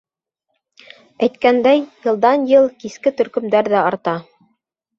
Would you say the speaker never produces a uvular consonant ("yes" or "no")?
yes